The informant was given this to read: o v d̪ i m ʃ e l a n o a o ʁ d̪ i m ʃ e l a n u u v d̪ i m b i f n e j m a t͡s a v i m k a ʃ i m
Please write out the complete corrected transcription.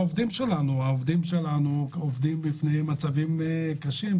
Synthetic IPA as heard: o v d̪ i m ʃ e l a n u a o v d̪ i m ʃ e l a n u o v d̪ i m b i f n e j m a t͡s a v i m k a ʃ i m